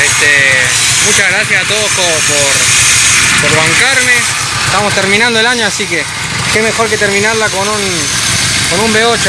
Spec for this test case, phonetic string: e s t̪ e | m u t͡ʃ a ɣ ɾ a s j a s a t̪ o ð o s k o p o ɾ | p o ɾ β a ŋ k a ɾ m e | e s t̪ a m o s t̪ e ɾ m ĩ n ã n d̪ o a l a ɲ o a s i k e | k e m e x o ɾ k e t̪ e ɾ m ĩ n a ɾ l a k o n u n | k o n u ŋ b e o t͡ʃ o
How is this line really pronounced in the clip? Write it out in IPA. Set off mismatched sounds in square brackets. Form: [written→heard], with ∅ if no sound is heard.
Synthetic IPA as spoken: e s t̪ e | m u t͡ʃ a ɣ ɾ a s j a s a t̪ o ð o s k o p o ɾ | p o ɾ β a ŋ k a ɾ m e | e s t̪ a m o s t̪ e ɾ m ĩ n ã n d̪ o [a→e] l a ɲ o a s i k e | k e m e x o ɾ k e t̪ e ɾ m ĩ n a ɾ l a k o n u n | k o n u [ŋ→m] b e o t͡ʃ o